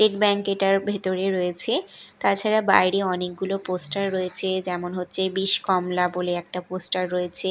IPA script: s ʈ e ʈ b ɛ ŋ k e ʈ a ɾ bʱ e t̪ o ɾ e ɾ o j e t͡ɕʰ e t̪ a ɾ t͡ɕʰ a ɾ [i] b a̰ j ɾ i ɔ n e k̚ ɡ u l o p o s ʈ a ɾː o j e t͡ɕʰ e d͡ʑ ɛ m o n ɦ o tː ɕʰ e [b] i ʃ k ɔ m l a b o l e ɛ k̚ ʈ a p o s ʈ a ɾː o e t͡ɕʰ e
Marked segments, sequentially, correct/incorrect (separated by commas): incorrect, correct